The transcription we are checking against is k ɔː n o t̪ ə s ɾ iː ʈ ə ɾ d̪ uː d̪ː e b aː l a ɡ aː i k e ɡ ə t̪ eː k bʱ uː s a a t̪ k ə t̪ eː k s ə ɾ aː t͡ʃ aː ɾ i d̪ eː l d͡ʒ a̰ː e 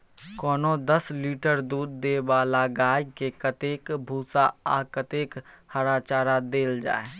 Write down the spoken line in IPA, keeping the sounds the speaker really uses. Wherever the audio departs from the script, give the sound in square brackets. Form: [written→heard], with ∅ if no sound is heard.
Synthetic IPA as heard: k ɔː n o [t̪→d̪] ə s [ɾ→l] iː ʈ ə ɾ d̪ uː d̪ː e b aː l a ɡ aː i k e [ɡ→k] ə t̪ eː k bʱ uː s a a [t̪→∅] k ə t̪ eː k [s→h] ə ɾ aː t͡ʃ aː ɾ [i→a] d̪ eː l d͡ʒ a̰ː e